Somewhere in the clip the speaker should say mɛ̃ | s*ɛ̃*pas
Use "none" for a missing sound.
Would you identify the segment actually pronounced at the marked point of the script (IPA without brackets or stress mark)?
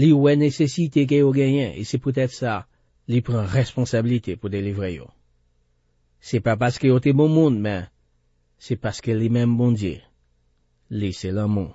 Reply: ɛ